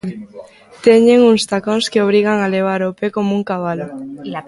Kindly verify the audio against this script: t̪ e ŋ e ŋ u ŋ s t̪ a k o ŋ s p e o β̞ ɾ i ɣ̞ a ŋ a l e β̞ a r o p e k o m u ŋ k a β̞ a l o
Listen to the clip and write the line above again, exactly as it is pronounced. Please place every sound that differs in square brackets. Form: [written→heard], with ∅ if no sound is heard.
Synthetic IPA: t̪ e [ŋ→ɲ] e ŋ u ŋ s t̪ a k o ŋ s [p→k] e o β̞ ɾ i ɣ̞ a ŋ a l e β̞ a [r→ɾ] o p e k o m u ŋ k a β̞ a l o